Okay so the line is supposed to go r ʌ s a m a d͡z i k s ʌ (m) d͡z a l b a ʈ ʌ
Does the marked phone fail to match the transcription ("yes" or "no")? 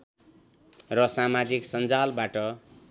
yes